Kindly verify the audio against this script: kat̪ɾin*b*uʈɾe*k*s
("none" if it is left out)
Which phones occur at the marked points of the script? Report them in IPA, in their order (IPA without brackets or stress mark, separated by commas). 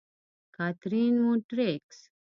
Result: m, k